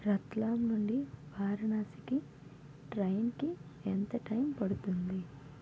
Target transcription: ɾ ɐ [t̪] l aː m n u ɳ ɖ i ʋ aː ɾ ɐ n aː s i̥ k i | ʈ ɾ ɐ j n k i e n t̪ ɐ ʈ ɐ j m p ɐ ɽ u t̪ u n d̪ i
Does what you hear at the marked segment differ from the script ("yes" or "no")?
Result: no